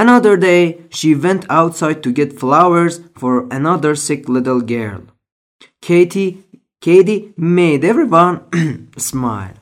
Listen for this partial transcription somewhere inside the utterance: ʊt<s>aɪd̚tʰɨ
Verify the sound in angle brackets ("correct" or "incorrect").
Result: correct